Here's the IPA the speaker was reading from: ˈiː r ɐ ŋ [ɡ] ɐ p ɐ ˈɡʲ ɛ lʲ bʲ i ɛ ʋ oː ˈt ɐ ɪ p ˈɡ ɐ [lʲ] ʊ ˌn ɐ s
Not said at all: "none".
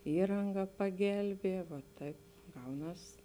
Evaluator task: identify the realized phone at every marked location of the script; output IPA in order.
ɡ, none

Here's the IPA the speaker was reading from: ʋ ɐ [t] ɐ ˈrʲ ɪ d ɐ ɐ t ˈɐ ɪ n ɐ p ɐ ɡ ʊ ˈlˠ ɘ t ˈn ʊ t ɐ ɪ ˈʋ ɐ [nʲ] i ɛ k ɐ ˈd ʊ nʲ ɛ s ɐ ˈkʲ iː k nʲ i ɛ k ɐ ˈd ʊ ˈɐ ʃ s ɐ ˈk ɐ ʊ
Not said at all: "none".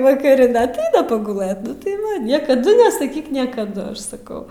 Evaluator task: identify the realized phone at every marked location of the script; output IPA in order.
k, nʲ

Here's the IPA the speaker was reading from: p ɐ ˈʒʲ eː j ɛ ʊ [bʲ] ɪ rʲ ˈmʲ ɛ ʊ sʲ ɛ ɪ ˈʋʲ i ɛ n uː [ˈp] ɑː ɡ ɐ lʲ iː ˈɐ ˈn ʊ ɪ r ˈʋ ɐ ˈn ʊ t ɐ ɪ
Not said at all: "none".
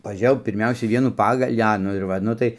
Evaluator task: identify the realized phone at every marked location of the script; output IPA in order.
pʲ, p

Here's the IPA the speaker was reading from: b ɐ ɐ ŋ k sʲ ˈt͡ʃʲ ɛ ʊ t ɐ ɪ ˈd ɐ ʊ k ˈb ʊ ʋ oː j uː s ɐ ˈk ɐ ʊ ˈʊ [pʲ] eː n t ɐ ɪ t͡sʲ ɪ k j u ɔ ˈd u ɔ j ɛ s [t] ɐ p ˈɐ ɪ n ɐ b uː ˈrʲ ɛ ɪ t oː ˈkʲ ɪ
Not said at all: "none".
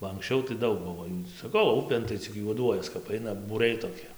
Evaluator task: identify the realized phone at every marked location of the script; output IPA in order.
pʲ, k

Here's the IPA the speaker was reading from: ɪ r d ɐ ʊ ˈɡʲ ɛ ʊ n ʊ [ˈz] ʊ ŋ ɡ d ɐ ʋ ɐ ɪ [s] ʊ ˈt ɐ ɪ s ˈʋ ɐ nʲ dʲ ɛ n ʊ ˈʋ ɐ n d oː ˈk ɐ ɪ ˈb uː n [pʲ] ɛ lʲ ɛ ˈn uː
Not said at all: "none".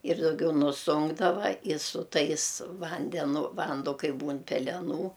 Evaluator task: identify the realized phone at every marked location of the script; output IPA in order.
s, s, pʲ

